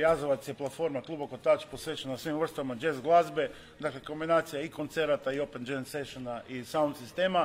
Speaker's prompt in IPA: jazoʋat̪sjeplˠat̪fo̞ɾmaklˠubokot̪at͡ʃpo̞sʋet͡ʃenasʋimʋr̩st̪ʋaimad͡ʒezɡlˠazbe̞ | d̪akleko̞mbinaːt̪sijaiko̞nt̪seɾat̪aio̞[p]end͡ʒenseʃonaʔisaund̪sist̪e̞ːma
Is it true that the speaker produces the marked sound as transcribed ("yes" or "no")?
yes